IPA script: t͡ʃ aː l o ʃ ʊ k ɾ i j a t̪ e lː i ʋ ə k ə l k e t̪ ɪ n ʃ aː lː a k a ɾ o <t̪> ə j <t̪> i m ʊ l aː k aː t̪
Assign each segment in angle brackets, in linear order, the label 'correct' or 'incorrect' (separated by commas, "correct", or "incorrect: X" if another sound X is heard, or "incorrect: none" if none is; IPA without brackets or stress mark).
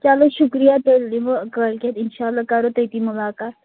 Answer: correct, correct